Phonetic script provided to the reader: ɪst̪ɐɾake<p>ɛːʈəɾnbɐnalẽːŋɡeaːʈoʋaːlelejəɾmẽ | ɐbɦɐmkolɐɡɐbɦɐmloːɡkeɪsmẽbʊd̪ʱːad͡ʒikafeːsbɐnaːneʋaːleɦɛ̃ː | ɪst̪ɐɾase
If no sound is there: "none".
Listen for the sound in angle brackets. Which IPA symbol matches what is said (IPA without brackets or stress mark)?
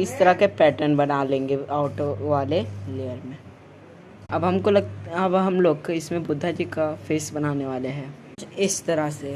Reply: p